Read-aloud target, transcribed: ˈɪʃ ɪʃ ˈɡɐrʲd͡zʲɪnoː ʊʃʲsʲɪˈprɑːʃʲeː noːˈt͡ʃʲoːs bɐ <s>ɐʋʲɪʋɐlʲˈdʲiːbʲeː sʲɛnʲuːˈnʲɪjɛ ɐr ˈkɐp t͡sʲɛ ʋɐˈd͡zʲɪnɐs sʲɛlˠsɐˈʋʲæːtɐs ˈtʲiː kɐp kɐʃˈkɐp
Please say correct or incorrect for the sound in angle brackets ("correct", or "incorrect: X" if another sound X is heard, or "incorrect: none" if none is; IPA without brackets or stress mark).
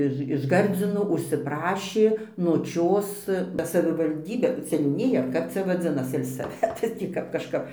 correct